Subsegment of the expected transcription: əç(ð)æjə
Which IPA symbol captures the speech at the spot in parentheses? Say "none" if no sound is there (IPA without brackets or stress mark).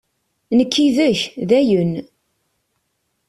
ð